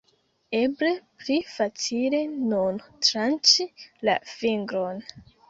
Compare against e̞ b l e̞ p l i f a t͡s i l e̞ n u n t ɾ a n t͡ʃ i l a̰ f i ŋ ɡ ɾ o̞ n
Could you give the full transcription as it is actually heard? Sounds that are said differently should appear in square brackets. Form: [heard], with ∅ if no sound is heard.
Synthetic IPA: e̞ b l e̞ p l i f a t͡s i l e̞ n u n t ɾ a n t͡ʃ i l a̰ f i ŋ ɡ ɾ o̞ n